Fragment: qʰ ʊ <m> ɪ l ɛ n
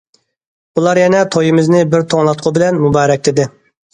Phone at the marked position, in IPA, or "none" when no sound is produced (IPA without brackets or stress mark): b